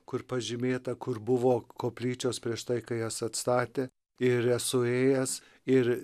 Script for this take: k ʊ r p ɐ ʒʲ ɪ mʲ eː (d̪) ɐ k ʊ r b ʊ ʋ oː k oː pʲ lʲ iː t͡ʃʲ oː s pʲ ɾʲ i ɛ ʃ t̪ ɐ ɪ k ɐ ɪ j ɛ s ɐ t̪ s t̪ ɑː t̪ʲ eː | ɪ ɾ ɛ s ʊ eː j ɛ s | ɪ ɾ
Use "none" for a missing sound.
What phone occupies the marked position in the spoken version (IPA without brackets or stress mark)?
t̪